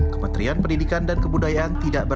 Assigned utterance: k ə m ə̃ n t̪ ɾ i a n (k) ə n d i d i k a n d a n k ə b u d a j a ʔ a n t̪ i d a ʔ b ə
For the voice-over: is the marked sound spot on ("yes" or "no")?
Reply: no